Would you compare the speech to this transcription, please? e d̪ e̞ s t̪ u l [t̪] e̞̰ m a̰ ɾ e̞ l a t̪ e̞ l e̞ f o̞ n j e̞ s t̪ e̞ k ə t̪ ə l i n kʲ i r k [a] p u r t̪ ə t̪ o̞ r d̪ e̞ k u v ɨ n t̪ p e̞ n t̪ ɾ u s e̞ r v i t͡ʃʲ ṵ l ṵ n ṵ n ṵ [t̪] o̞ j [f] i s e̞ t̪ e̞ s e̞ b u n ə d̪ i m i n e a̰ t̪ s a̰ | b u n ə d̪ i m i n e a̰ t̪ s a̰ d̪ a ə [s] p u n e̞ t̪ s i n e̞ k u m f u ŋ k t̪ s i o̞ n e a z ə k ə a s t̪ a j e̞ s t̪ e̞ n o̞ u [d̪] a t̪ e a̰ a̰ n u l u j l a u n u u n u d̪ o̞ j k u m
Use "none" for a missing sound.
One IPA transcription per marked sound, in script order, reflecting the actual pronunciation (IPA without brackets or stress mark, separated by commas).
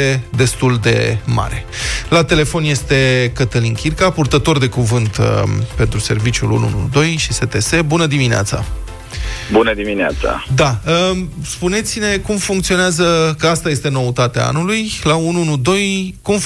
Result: d̪, a, d̪, ʃ, s, t̪